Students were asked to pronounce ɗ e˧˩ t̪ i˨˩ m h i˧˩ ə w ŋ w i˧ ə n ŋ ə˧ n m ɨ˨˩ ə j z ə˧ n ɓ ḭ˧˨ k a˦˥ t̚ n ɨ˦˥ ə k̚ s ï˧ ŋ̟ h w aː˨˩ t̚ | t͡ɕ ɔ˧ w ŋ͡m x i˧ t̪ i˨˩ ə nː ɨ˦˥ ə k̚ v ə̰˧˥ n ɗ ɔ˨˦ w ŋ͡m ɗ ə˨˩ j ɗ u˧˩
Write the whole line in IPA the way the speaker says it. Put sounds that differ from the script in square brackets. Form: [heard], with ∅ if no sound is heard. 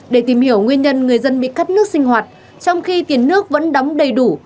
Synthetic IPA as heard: ɗ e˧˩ t̪ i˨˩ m h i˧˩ ə w ŋ w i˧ ə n [ɲ] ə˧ n [ŋ] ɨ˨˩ ə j z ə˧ n ɓ ḭ˧˨ k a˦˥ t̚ n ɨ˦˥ ə k̚ s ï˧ ŋ̟ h w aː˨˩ t̚ | t͡ɕ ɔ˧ w ŋ͡m x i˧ t̪ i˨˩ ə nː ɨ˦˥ ə k̚ v ə̰˧˥ n ɗ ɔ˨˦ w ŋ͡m ɗ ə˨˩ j ɗ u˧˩